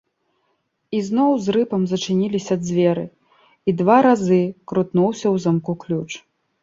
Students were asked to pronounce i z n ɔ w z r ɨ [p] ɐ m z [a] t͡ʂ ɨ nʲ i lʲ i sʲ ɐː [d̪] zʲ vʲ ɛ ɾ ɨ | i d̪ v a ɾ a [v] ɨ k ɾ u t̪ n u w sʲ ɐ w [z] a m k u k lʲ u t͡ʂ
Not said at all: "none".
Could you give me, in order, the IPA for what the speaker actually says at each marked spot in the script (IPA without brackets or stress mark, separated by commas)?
p, ɐ, d̪, z, z